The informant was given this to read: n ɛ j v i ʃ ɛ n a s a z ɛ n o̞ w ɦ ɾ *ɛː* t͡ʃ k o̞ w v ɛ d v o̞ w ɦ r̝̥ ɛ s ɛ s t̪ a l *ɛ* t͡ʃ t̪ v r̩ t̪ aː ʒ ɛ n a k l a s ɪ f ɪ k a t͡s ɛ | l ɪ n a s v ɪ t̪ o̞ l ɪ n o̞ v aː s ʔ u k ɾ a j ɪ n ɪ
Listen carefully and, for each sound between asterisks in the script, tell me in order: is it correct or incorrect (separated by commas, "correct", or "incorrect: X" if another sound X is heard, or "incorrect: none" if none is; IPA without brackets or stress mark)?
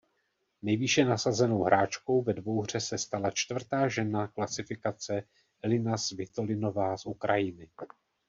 incorrect: aː, incorrect: a